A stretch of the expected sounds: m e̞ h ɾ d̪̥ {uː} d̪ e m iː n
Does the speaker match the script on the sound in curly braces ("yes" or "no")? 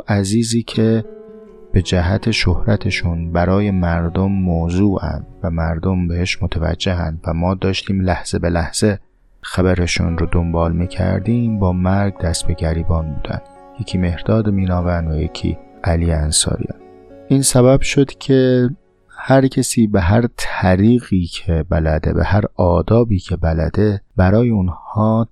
no